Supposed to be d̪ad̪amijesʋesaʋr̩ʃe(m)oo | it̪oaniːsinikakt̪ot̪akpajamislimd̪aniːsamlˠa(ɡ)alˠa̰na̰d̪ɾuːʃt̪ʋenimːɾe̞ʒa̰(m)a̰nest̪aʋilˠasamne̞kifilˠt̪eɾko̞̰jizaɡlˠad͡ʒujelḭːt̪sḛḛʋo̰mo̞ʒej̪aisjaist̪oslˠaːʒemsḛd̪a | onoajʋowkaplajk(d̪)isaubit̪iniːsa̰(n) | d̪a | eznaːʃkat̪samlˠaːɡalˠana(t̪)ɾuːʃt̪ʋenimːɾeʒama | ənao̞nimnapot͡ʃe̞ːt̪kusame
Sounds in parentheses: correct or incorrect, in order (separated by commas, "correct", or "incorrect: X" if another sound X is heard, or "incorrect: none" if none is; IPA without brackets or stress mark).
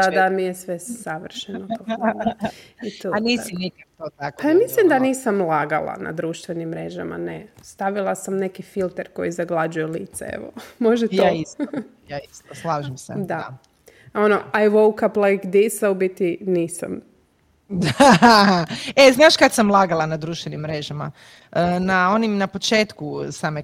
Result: incorrect: n, correct, correct, correct, incorrect: m, incorrect: d̪